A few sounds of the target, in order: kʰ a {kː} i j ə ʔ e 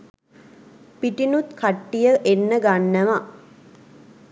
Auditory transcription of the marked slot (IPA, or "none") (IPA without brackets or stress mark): ʈː